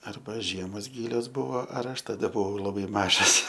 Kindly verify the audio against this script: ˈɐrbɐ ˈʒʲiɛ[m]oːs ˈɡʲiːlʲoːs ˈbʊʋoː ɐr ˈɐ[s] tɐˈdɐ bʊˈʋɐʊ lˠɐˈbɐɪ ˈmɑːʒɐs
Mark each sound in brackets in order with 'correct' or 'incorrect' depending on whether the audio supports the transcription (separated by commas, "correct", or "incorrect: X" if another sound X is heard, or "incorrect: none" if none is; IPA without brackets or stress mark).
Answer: correct, incorrect: ʃ